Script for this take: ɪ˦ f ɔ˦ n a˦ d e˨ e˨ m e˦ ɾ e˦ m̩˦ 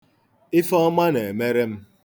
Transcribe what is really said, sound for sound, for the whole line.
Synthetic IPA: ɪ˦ f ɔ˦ m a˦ n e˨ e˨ m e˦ ɾ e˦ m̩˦